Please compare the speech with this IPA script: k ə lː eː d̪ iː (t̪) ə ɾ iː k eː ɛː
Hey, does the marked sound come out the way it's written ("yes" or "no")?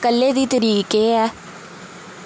yes